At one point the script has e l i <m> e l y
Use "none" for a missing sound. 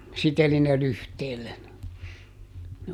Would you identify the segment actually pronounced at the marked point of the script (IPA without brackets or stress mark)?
n